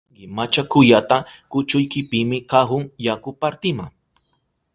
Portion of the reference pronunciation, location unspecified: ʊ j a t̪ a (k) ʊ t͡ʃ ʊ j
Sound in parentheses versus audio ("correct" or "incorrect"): correct